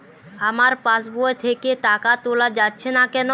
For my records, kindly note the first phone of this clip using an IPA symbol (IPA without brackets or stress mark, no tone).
a